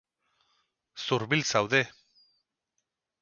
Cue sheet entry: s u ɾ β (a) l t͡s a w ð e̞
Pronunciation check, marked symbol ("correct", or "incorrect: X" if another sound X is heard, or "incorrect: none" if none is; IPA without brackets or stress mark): incorrect: i